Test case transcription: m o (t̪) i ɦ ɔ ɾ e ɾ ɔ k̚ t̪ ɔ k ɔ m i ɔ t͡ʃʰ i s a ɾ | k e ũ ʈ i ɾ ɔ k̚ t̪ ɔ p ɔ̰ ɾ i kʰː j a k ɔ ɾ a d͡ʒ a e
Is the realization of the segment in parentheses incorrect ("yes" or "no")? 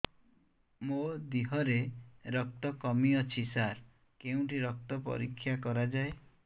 yes